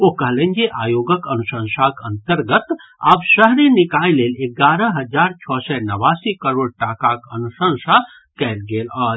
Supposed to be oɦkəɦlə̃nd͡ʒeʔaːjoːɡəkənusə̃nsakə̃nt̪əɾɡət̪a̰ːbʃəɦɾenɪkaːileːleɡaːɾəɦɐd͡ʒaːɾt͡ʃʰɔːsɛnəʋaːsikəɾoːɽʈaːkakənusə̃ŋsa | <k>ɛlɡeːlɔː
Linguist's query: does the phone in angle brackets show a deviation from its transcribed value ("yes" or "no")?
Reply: no